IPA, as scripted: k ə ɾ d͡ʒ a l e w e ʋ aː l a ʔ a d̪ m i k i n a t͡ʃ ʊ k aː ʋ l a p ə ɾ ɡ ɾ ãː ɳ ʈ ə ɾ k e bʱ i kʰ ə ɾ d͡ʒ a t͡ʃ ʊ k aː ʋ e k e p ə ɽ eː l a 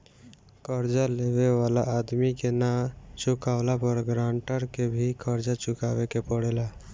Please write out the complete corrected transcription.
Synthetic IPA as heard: k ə ɾ d͡ʒ a l e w e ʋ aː l a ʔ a d̪ m i k e n a t͡ʃ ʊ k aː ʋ l a p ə ɾ ɡ ɾ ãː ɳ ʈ ə ɾ k e bʱ i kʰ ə ɾ d͡ʒ a t͡ʃ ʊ k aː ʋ e k e p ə ɽ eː l a